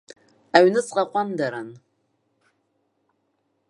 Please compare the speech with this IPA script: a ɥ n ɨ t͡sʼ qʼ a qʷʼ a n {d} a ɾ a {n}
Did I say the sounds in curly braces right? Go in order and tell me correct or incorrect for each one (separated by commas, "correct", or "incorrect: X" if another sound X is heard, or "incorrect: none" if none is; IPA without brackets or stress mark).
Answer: correct, correct